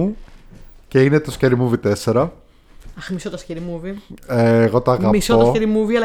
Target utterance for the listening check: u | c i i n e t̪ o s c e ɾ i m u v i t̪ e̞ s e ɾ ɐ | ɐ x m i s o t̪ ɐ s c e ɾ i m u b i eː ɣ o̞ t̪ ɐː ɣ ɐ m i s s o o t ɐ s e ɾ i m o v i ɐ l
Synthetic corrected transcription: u | c e i n e t̪ o s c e ɾ i m u v i t̪ e̞ s e ɾ ɐ | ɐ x m i s o t̪ ɐ s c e ɾ i m u v i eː ɣ o̞ t̪ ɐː ɣ ɐ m i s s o o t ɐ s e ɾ i m u v i ɐ l